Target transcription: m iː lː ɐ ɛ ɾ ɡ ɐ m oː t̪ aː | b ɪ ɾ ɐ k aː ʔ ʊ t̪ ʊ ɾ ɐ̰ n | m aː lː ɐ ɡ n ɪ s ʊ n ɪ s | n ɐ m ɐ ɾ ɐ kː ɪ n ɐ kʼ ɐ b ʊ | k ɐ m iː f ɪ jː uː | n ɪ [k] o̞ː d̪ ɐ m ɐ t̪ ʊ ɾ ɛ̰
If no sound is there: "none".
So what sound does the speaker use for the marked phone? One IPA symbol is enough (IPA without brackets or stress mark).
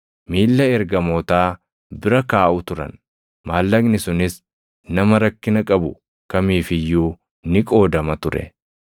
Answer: kʼ